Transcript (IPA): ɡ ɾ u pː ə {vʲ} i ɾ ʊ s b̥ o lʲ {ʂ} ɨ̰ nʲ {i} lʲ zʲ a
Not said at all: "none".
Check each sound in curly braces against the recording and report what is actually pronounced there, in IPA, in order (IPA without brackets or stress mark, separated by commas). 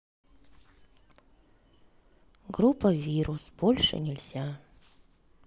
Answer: vʲ, ʂ, ɪ